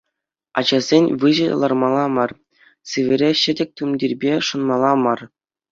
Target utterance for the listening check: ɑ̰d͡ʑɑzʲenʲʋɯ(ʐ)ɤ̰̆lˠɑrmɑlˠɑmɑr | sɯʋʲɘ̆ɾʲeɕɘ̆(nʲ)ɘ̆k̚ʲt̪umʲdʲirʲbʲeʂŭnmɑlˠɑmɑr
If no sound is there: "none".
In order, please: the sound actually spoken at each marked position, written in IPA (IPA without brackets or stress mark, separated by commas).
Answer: ʑ, dʲ